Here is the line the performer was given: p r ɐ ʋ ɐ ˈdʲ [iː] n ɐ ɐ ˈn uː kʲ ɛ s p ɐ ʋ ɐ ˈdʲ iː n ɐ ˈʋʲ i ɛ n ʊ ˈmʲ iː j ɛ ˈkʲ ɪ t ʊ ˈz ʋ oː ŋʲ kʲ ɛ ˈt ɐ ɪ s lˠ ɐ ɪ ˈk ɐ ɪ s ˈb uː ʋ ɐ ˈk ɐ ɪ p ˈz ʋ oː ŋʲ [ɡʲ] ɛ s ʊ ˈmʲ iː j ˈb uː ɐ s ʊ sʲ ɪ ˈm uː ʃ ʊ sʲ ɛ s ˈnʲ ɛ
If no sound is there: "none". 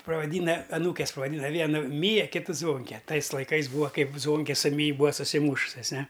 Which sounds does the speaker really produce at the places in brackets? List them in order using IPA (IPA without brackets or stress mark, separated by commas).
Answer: iː, kʲ